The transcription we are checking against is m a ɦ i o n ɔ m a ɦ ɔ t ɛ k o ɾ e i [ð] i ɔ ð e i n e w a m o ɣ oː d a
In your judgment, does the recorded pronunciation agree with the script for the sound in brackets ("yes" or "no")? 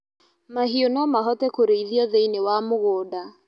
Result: yes